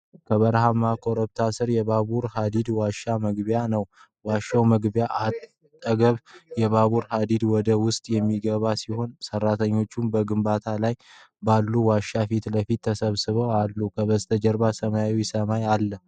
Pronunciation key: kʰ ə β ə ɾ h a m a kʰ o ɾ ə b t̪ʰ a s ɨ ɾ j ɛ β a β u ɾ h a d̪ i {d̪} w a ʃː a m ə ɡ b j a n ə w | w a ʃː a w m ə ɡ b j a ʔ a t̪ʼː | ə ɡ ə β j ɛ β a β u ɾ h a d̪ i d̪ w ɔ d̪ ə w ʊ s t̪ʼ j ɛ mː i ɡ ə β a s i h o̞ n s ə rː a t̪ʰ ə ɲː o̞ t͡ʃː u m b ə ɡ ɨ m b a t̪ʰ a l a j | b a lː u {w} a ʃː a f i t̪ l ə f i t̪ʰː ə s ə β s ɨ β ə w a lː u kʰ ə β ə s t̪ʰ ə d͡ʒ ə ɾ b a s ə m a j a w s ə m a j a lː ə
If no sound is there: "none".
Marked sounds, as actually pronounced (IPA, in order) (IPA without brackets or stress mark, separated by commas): d̪, w